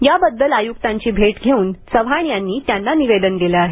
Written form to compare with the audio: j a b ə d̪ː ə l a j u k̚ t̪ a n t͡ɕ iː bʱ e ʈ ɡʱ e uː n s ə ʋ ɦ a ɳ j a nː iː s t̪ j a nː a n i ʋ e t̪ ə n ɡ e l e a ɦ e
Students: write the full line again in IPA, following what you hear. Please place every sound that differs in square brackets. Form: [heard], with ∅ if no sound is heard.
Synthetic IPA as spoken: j a b ə d̪ː ə l a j u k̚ t̪ a [ɲ] t͡ɕ iː bʱ e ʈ ɡʱ e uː n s ə ʋ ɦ a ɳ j a nː iː [∅] t̪ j a nː a n i ʋ e [d̪] ə n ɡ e l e a ɦ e